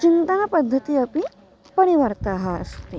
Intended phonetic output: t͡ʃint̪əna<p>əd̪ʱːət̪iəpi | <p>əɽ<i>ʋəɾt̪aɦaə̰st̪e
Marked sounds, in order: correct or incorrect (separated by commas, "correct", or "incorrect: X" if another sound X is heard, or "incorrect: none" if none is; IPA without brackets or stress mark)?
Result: correct, correct, correct